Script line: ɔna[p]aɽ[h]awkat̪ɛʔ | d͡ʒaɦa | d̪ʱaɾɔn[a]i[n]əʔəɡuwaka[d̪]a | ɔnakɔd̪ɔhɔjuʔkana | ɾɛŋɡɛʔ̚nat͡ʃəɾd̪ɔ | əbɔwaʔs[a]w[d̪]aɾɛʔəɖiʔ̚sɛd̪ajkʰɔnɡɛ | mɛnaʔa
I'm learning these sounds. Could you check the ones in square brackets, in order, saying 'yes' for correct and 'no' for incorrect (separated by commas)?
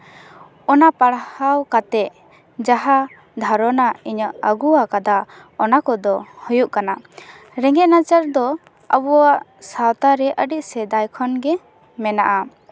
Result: yes, yes, yes, no, yes, yes, no